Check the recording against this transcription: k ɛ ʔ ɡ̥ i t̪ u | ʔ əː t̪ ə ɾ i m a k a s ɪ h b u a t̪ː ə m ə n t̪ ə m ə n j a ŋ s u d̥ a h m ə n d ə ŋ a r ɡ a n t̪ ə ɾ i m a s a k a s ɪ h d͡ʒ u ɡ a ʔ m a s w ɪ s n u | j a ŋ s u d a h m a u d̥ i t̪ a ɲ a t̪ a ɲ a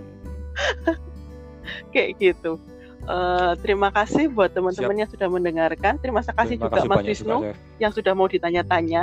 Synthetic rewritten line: k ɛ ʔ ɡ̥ i t̪ u | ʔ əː t̪ ə ɾ i m a k a s ɪ h b u a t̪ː ə m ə n t̪ ə m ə n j a ŋ s u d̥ a h m ə n d ə ŋ a r k a n t̪ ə ɾ i m a s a k a s ɪ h d͡ʒ u ɡ a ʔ m a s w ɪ s n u | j a ŋ s u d a h m a u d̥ i t̪ a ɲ a t̪ a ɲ a